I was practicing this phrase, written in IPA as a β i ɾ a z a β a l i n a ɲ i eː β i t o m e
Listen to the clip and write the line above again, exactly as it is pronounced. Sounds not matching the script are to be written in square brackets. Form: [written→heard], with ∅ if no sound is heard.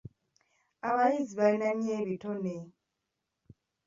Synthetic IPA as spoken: a β [i→a] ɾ [a→i] z [a→i] β a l i n a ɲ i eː β i t o [m→n] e